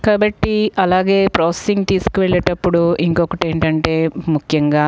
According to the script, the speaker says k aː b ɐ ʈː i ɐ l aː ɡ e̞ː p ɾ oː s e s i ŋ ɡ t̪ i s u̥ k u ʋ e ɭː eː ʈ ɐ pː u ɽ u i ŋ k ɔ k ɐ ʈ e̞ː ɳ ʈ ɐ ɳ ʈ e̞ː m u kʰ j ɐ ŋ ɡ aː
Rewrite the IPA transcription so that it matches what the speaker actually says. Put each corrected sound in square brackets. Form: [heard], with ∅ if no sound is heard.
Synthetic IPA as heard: k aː b ɐ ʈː i ɐ l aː ɡ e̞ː p ɾ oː s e s i ŋ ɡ t̪ [iː] s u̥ k u ʋ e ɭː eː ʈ ɐ pː u ɽ u i ŋ k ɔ k ɐ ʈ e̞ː ɳ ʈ ɐ ɳ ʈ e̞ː m u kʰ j ɐ ŋ ɡ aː